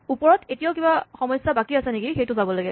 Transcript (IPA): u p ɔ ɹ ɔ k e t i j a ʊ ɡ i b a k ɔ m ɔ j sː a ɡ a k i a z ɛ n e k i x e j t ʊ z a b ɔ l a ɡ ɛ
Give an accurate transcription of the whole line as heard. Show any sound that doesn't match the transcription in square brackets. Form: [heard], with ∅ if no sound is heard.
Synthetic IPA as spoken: u p ɔ ɹ ɔ [t] e t i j a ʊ [k] i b a [x] ɔ m ɔ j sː a [b] a k i a [s] ɛ n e k i x e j t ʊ z a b ɔ l a ɡ ɛ